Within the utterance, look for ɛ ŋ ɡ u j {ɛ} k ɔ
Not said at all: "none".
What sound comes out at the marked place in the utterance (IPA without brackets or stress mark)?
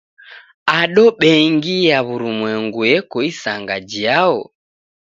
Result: ɛ